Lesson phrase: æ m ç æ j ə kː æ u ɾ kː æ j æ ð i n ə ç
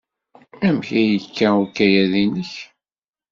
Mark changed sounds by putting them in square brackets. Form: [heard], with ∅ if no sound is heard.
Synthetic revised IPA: æ m ç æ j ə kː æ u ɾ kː æ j æ ð i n ə ç